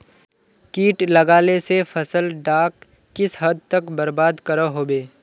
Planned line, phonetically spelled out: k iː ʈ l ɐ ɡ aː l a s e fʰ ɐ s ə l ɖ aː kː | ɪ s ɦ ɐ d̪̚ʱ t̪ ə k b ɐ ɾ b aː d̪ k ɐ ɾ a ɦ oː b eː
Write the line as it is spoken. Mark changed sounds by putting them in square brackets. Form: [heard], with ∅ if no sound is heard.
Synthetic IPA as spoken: k iː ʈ l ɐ ɡ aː l [e] s e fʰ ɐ s ə l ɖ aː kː | ɪ s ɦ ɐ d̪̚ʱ t̪ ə k b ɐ ɾ b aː d̪ k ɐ ɾ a ɦ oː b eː